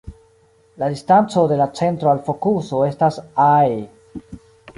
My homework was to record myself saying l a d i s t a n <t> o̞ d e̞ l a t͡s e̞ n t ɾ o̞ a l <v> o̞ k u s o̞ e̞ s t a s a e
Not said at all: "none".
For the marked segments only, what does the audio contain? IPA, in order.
t͡s, f

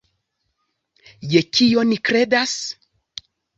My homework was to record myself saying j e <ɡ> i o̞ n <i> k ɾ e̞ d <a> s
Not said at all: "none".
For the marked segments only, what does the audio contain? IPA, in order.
k, i, a

